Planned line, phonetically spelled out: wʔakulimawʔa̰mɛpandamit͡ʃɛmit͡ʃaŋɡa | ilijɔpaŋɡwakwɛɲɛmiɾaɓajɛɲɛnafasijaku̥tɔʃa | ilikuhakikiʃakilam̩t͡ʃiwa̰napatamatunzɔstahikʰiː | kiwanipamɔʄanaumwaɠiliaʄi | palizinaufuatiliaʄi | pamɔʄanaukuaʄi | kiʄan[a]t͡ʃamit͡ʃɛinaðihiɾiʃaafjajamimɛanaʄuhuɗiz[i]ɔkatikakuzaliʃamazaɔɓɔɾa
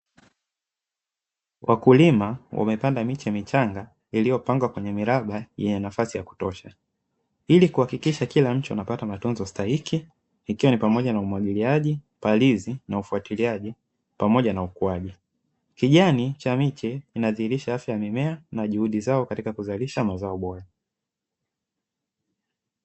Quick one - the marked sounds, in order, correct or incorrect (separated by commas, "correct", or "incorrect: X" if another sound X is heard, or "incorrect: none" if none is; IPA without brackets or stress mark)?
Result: incorrect: i, incorrect: a